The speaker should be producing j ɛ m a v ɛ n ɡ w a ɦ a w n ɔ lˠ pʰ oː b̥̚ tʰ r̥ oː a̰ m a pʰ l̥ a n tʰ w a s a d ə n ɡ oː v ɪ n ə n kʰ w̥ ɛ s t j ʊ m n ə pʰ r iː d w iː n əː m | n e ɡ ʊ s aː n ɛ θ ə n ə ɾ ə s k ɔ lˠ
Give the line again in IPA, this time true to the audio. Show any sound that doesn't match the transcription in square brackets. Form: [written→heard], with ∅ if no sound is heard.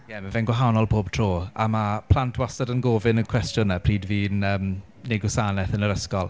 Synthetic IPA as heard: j ɛ m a v ɛ n ɡ w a ɦ a w n ɔ lˠ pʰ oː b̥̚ tʰ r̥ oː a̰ m a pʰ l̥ a n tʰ w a s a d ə n ɡ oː v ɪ n ə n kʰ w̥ ɛ s t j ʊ [m→∅] n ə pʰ r iː d [w→v] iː n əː m | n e ɡ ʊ s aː n ɛ θ ə n ə ɾ ə s k ɔ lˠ

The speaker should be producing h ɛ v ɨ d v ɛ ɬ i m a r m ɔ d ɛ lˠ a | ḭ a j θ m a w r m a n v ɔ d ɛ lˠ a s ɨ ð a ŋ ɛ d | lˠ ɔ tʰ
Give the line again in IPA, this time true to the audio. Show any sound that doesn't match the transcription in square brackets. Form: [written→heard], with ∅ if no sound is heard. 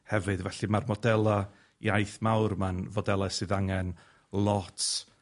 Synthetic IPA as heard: h ɛ v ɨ d v ɛ ɬ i m a r m ɔ d ɛ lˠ a | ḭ a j θ m a w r m a n v ɔ d ɛ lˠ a s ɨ ð a ŋ ɛ [d→n] | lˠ ɔ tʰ

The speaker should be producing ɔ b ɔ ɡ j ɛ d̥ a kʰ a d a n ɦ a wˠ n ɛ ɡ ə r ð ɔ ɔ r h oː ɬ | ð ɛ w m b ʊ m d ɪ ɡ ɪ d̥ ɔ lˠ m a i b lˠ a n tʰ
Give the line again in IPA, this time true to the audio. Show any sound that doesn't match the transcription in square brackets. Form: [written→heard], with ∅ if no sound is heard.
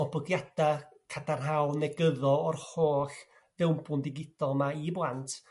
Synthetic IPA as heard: ɔ b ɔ ɡ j [ɛ→a] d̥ a kʰ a d a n ɦ a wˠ n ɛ ɡ ə [r→∅] ð ɔ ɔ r h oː ɬ | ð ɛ w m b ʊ [m→n] d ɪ ɡ ɪ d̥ ɔ lˠ m a i b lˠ a n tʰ

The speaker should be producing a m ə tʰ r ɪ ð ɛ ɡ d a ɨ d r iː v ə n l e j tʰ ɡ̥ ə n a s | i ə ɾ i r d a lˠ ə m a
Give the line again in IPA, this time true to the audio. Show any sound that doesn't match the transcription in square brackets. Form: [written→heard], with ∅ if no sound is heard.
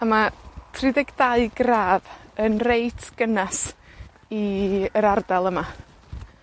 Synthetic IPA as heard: a m [ə→a] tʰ r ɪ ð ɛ ɡ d a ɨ [d→ɡ] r [iː→aː] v ə n [l→r] e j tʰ ɡ̥ ə n a s | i ə ɾ [i→a] r d a lˠ ə m a

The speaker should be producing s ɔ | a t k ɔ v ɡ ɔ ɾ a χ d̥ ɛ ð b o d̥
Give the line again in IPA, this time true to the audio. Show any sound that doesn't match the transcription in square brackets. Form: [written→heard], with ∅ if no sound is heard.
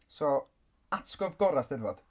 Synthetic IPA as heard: s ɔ | a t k ɔ v ɡ ɔ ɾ a [χ→s] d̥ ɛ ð [b→v] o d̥

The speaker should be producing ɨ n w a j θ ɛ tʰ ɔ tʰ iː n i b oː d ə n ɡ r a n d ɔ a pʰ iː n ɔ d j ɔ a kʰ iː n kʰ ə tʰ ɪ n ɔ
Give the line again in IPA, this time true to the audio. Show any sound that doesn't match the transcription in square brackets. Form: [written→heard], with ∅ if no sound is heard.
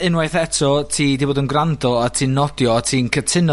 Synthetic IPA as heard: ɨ n w a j θ ɛ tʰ ɔ tʰ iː [n→d] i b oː d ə n ɡ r a n d ɔ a [pʰ→tʰ] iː n ɔ d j ɔ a [kʰ→tʰ] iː n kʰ ə tʰ ɪ n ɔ

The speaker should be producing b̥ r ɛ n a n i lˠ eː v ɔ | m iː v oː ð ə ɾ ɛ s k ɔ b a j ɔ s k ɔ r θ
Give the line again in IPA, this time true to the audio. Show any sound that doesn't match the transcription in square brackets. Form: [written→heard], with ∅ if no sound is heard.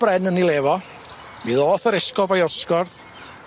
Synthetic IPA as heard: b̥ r ɛ n [a→ə] n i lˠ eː v ɔ | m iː [v→ð] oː [ð→θ] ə ɾ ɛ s k ɔ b a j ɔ s k ɔ r θ

